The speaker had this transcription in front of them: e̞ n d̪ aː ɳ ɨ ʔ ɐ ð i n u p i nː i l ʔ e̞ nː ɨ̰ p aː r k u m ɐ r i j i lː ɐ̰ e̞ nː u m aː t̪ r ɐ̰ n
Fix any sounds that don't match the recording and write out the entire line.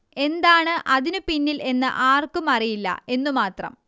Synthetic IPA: e̞ n d̪ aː ɳ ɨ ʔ ɐ ð i n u p i nː i l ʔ e̞ nː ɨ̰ ʔ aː r k u m ɐ r i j i lː ɐ̰ e̞ nː u m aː t̪ r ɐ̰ m